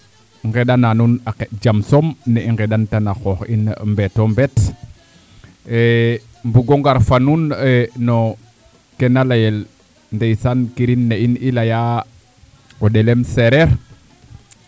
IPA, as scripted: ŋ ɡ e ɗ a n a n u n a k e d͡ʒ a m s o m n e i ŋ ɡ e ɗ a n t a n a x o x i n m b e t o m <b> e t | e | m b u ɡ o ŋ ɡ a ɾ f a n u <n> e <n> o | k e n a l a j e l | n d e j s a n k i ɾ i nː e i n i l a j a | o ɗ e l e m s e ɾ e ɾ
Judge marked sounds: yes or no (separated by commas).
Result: yes, yes, yes